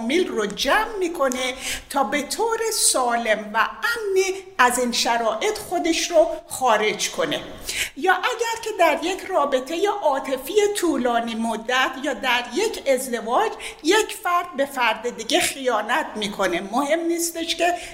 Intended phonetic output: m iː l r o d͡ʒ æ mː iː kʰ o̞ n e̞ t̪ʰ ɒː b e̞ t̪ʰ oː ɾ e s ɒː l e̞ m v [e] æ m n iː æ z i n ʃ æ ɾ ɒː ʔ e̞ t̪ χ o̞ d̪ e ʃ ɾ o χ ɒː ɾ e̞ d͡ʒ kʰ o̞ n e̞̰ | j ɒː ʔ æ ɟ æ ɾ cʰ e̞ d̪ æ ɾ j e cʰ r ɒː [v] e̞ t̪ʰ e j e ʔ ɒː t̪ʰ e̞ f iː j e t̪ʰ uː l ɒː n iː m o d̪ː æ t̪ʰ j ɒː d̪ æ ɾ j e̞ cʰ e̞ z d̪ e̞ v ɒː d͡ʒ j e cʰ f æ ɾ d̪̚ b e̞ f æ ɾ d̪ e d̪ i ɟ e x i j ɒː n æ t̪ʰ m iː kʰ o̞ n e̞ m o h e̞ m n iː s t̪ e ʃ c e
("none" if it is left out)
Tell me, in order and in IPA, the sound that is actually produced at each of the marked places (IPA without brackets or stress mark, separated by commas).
æ, b